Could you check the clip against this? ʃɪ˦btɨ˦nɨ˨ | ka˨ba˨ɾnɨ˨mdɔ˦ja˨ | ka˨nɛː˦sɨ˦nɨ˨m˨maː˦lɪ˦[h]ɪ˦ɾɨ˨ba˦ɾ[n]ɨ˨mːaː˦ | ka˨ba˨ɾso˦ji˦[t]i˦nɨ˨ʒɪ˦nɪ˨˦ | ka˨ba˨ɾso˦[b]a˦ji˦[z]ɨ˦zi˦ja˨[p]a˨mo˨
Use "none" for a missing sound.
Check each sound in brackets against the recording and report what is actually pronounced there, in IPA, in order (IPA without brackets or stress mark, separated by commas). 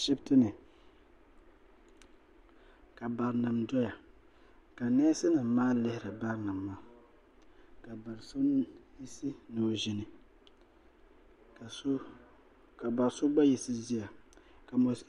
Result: h, n, s, b, s, k